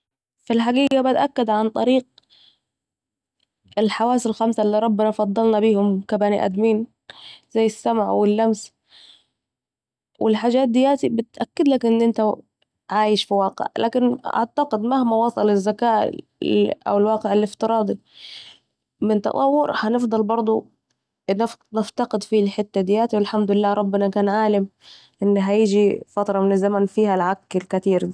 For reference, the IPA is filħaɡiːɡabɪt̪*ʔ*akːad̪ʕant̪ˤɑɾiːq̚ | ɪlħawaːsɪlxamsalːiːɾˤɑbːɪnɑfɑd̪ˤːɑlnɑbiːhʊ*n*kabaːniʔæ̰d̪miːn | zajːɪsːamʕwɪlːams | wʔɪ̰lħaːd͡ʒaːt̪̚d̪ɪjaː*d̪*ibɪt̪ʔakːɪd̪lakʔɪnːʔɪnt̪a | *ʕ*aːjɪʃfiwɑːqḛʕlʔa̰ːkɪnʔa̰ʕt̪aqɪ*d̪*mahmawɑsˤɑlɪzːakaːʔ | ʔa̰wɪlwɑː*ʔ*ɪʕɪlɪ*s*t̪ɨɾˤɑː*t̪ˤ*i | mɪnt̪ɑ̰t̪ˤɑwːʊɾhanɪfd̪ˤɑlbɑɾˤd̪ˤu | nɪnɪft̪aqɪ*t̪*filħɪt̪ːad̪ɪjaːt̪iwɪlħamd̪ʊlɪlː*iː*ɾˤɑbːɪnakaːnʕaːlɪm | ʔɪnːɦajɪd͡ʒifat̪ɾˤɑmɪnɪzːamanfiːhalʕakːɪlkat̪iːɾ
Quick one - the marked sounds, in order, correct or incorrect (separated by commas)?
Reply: correct, incorrect, incorrect, correct, correct, incorrect, incorrect, incorrect, incorrect, incorrect